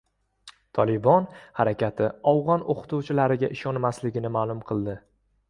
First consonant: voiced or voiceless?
voiceless